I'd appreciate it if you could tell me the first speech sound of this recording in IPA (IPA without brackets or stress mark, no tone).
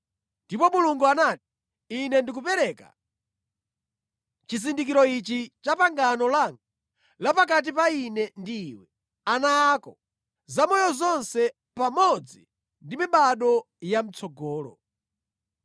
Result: n